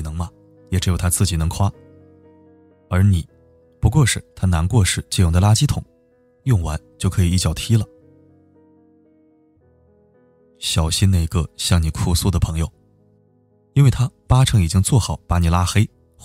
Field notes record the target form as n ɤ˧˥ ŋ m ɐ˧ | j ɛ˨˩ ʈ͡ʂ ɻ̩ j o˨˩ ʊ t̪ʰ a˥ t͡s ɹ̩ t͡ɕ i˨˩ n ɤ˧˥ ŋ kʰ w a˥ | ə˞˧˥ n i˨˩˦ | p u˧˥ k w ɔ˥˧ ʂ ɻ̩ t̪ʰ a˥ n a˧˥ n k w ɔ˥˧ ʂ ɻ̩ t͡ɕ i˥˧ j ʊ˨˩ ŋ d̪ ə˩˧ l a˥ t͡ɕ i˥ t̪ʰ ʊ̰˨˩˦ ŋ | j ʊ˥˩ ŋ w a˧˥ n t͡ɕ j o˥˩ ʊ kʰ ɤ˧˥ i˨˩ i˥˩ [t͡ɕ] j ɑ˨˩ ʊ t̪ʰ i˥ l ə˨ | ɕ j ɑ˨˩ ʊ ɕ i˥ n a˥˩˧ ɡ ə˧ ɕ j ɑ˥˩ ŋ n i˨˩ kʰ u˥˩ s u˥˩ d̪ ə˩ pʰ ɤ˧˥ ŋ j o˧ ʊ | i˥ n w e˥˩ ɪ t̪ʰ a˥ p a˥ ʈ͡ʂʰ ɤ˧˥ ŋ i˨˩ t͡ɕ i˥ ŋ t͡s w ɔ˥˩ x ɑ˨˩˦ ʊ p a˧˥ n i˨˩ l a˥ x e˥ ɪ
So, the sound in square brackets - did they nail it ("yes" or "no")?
yes